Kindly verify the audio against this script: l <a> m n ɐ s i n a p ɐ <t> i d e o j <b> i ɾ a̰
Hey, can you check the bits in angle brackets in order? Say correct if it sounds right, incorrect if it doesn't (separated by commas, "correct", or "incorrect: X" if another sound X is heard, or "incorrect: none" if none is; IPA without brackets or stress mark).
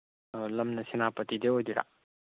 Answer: incorrect: ɐ, correct, incorrect: d